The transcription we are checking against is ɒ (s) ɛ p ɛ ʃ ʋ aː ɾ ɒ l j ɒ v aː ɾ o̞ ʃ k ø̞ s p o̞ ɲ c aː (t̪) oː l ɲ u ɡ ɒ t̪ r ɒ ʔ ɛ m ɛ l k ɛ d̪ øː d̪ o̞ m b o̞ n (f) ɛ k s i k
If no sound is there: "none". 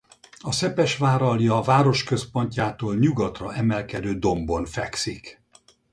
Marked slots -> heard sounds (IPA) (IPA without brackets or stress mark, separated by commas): s, t̪, f